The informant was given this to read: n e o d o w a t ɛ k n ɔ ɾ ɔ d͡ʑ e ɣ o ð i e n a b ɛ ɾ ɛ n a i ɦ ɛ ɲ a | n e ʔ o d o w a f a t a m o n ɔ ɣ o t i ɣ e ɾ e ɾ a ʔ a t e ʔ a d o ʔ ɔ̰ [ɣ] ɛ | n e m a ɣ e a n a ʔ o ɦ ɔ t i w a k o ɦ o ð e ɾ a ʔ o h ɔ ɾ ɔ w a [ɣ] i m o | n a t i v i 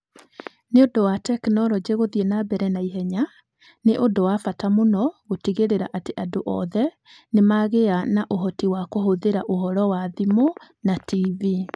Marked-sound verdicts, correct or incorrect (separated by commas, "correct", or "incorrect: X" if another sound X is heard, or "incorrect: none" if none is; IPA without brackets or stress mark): incorrect: ð, incorrect: ð